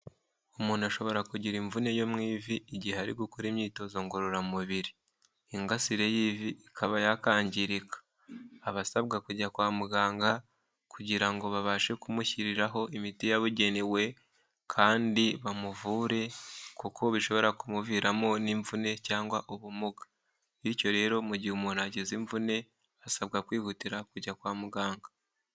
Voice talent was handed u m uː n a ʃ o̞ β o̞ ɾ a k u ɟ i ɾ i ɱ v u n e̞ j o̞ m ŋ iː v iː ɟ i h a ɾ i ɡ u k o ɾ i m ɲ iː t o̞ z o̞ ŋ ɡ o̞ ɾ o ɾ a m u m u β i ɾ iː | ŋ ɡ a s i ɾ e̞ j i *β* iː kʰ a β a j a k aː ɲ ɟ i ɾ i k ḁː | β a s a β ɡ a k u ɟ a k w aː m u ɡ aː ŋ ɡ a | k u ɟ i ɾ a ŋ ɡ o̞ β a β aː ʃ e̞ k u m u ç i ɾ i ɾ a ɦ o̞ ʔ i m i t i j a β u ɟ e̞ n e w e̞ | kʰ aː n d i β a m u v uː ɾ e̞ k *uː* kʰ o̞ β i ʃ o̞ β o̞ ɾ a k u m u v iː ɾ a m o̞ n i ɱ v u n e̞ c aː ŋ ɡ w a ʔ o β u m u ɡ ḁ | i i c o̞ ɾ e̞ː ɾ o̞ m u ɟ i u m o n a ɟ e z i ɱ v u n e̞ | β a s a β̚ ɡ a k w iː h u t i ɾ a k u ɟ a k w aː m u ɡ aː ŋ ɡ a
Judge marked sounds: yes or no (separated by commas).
no, no